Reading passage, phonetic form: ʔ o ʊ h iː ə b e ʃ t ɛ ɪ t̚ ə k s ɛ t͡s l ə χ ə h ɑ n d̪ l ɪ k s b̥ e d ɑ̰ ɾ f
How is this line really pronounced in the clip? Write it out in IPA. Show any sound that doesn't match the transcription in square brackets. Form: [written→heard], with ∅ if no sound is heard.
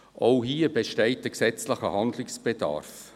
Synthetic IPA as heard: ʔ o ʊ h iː ə b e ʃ t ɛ ɪ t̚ ə k s ɛ t͡s l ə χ ə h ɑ n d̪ l ɪ k s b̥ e d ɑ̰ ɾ f

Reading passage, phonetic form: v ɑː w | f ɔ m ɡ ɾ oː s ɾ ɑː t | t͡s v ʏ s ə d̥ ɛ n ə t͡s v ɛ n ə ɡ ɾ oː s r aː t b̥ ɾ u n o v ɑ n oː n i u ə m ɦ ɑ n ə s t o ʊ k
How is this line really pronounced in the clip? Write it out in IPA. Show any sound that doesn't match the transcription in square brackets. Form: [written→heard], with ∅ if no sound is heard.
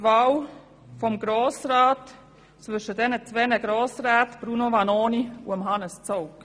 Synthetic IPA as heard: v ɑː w | f ɔ m ɡ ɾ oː s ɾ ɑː t | t͡s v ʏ [s→ʃ] ə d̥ ɛ n ə t͡s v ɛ n ə ɡ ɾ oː s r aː t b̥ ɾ u n o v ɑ n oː n i u ə m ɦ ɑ n ə s [t→t͡s] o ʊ k

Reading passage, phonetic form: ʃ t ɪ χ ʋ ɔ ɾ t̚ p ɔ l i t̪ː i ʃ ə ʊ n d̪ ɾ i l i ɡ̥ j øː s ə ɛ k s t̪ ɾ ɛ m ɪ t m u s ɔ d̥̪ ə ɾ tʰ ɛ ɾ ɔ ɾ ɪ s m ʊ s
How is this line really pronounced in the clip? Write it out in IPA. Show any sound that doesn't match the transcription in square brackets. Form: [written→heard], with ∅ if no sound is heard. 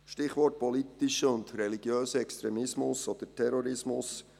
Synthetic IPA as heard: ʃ t ɪ χ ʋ ɔ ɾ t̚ p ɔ l i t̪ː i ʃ ə ʊ n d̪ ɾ [i→ɛ] l i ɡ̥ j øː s ə ɛ k s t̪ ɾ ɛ m ɪ [t→s] m [u→ʊ] s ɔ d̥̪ ə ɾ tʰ ɛ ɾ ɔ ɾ ɪ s m ʊ s

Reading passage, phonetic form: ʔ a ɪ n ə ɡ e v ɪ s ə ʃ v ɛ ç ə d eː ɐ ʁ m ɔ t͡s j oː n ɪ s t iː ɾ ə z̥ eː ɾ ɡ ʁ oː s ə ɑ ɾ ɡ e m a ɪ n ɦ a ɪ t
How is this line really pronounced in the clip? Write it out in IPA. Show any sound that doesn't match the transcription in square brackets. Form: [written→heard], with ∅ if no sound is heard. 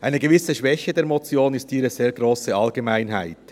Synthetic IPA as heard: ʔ a ɪ n ə ɡ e v ɪ s ə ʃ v ɛ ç ə d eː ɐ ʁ m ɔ t͡s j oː n ɪ s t iː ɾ ə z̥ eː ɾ ɡ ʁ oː s ə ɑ [ɾ→l] ɡ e m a ɪ n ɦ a ɪ t

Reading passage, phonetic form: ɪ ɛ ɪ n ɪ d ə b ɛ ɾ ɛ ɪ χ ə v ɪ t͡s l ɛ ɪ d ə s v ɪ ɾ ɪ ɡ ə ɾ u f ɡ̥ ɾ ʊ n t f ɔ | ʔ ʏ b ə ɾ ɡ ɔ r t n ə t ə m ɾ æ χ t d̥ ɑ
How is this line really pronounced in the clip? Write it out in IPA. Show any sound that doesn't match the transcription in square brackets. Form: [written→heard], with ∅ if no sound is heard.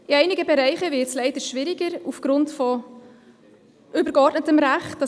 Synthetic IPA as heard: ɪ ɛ ɪ n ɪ [d→ɡ] ə b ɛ ɾ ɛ ɪ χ ə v ɪ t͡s l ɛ ɪ d ə [s→ʃ] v ɪ ɾ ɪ ɡ ə ɾ u f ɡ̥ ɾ ʊ n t f ɔ | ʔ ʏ b ə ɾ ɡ ɔ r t n ə t ə m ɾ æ χ t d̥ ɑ

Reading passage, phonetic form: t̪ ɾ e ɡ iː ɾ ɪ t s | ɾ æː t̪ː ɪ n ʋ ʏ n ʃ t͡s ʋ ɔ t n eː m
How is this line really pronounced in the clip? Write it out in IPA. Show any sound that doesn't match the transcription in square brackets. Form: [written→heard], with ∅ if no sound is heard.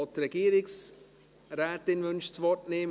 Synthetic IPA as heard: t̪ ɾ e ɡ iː ɾ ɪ [t→k] s | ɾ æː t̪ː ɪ n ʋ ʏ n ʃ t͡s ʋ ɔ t n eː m

